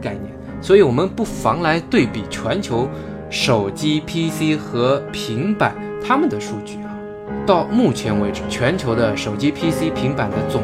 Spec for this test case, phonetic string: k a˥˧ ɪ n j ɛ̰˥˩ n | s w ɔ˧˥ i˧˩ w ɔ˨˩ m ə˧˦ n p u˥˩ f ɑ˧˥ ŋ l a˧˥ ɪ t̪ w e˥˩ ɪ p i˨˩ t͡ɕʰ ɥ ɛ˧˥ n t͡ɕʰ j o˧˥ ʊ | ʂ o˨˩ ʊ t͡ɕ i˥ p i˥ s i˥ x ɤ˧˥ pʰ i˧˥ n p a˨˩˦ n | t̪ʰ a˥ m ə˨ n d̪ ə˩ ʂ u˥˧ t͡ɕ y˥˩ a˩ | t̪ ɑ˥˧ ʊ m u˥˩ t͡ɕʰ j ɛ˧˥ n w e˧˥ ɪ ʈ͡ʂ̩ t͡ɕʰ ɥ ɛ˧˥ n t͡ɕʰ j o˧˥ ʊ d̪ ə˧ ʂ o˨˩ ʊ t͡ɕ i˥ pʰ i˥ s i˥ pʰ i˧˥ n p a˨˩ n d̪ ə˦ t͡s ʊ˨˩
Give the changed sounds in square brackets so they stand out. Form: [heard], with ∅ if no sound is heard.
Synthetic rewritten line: k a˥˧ ɪ n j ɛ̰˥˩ n | s w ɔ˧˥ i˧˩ w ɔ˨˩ m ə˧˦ n p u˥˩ f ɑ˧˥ ŋ l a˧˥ ɪ t̪ w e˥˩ ɪ p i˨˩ t͡ɕʰ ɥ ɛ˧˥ n t͡ɕʰ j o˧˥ ʊ | ʂ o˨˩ ʊ t͡ɕ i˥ [pʰ] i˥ s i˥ x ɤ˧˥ pʰ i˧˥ [ŋ] p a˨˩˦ n | t̪ʰ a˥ m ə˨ n d̪ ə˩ ʂ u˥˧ t͡ɕ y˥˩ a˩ | t̪ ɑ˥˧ ʊ m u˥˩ t͡ɕʰ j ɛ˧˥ n w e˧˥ ɪ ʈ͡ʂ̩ t͡ɕʰ ɥ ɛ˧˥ n t͡ɕʰ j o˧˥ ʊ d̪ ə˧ ʂ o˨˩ ʊ t͡ɕ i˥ pʰ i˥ s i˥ pʰ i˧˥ [ŋ] p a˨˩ n d̪ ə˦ t͡s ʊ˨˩